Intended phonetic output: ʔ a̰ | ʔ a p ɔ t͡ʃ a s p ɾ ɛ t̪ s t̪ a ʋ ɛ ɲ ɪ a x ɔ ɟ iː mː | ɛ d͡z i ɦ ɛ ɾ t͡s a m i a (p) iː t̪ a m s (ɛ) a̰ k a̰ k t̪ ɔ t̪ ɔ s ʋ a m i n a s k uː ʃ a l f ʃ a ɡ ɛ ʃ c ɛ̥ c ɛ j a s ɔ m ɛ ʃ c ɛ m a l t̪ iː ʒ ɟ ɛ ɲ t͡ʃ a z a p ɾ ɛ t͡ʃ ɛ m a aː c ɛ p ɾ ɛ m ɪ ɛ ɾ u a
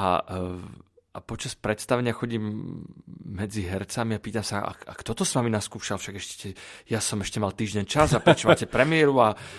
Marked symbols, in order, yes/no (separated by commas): yes, no